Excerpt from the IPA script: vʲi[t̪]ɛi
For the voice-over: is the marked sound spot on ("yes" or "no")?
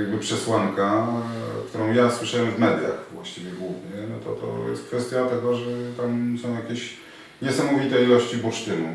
yes